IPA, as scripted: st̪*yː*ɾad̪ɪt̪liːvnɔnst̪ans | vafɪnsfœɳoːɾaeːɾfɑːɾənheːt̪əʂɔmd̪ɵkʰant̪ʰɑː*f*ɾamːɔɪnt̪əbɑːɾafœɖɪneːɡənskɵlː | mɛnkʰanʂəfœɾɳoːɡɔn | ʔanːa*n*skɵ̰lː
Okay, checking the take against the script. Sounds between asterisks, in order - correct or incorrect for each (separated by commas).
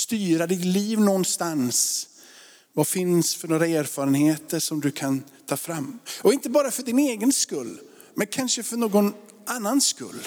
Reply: correct, correct, correct